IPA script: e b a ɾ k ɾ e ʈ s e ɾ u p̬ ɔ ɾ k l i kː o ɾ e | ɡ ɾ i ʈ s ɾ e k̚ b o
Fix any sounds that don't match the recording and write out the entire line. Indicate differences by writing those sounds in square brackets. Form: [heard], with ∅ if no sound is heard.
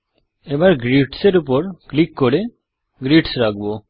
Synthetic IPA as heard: e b a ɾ [ɡ] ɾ [i] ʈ s e ɾ u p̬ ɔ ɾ k l i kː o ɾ e | ɡ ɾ i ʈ s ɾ [a] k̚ b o